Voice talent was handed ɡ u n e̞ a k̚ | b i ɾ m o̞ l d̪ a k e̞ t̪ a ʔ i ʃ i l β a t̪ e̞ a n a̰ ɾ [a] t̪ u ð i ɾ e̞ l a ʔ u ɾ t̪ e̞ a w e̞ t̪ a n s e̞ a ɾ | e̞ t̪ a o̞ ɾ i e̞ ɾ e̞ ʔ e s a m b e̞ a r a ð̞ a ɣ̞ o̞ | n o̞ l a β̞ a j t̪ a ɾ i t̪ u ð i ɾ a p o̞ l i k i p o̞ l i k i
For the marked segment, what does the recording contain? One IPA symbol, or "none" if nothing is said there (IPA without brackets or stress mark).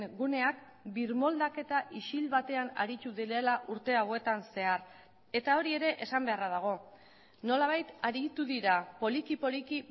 i